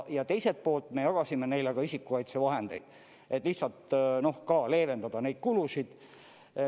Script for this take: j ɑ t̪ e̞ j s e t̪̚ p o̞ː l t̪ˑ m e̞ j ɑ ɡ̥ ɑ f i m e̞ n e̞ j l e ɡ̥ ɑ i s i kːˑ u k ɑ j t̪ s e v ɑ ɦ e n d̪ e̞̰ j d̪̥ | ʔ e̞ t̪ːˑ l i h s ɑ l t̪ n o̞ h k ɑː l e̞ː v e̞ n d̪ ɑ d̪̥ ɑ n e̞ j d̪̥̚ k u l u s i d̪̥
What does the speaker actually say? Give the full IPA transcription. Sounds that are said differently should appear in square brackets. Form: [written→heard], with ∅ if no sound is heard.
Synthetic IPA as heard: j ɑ t̪ e̞ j s e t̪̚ p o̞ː l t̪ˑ m e̞ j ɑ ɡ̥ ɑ [f→s] i m e̞ n e̞ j l e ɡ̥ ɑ i s i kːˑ u k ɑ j t̪ s e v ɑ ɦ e n d̪ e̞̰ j d̪̥ | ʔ e̞ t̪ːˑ l i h s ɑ l t̪ n o̞ h k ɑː l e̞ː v e̞ n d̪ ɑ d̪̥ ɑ n e̞ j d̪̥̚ k u l u s i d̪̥